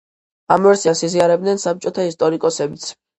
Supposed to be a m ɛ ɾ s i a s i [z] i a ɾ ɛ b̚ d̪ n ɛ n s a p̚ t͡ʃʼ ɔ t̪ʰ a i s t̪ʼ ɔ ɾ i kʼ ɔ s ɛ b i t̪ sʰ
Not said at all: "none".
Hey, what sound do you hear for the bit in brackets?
z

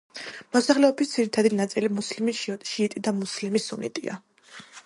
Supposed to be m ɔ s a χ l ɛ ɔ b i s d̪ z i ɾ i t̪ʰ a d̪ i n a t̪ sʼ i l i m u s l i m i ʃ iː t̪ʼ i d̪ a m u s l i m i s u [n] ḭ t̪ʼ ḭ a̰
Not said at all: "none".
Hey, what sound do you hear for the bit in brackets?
n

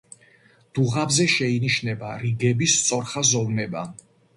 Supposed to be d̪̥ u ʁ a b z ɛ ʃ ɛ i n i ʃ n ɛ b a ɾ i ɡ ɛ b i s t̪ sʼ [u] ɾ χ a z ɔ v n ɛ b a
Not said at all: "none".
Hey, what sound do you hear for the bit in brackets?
ɔ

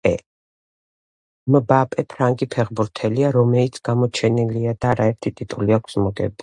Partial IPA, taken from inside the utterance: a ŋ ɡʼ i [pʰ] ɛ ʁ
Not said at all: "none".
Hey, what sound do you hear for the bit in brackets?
pʰ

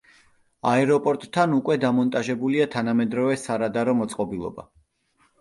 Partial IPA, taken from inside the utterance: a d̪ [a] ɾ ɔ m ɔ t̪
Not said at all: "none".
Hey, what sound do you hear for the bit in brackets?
a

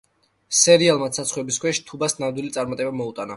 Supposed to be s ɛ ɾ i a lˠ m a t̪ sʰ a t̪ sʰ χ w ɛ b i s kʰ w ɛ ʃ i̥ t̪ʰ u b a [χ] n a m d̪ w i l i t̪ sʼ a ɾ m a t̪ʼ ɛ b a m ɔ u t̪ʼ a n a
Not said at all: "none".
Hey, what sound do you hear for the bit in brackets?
s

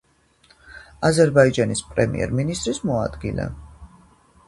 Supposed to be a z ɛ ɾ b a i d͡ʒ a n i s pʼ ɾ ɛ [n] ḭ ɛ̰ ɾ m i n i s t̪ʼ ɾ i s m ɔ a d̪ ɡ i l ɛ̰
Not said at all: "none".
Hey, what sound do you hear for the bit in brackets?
m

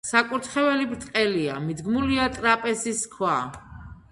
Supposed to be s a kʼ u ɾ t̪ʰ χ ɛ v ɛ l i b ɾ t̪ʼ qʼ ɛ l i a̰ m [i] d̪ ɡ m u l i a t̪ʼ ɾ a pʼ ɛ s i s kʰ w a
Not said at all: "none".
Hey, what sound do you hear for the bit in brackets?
i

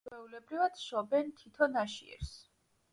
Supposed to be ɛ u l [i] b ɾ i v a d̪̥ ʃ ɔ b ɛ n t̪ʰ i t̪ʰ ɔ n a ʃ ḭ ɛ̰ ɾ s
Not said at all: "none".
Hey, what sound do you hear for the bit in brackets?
ɛ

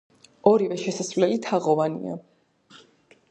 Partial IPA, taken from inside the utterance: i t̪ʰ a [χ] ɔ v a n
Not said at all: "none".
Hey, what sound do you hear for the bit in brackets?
ʁ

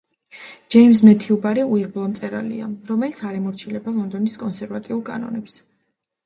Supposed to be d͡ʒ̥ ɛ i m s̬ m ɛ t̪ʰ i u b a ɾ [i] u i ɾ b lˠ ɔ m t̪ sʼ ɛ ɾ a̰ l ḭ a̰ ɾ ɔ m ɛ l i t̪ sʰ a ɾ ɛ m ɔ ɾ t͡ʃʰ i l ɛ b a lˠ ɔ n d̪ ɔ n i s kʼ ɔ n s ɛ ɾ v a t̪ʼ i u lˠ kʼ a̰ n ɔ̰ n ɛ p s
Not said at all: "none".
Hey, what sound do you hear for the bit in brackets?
i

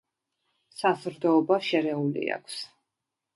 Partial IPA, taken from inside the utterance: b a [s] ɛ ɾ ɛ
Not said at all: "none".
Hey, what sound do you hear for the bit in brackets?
ʃ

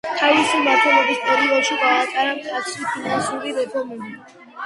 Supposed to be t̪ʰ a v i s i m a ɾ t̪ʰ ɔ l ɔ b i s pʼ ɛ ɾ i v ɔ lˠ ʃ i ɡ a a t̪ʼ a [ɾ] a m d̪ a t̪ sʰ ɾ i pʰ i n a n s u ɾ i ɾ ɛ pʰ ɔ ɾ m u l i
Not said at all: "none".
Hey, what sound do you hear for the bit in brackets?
ɾ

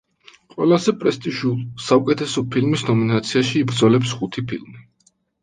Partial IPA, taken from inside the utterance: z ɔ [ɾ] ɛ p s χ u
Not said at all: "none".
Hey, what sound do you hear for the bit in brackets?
l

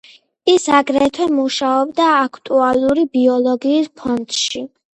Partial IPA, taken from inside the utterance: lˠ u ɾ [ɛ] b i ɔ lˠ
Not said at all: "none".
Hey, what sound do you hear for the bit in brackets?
i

